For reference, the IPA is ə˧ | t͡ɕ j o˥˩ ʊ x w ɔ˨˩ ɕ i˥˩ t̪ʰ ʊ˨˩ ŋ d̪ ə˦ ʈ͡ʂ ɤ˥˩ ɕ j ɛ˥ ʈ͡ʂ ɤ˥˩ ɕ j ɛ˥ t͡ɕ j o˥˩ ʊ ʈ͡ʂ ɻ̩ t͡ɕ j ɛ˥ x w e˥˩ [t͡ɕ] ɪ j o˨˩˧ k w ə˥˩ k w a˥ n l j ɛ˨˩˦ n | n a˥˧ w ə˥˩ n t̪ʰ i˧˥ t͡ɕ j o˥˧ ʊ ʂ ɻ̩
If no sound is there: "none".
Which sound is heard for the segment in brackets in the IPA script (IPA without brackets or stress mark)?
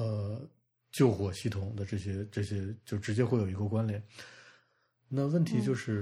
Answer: none